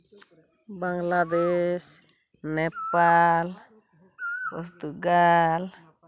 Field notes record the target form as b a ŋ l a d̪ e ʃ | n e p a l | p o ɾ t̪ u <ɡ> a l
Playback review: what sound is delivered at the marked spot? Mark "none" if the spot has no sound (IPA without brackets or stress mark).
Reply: ɡ